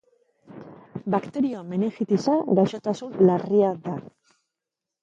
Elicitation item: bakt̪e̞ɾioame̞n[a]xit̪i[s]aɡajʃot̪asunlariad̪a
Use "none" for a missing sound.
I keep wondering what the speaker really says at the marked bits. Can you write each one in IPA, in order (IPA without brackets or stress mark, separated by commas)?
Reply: e, s